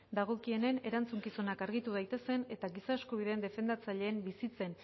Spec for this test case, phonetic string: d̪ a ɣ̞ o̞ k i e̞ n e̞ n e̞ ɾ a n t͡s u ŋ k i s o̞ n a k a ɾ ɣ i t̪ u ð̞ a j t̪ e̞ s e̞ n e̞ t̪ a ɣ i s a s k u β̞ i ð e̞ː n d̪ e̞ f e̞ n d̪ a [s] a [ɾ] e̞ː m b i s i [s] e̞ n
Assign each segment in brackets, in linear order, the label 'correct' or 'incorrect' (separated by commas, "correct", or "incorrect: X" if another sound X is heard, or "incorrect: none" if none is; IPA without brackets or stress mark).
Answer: incorrect: t͡s, incorrect: ʎ, incorrect: t͡s